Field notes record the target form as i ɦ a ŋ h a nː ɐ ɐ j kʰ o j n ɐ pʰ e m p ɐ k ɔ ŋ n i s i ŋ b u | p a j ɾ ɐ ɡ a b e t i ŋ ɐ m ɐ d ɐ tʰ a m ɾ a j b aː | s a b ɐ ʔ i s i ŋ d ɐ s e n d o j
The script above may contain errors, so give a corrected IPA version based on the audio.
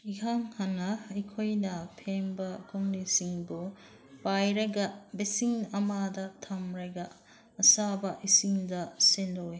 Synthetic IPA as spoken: i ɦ a ŋ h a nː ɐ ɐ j kʰ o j n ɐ pʰ e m b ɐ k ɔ ŋ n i s i ŋ b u | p a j ɾ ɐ ɡ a b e s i ŋ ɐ m a d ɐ tʰ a m ɾ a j ɡ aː | s a b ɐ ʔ i s i ŋ d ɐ s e n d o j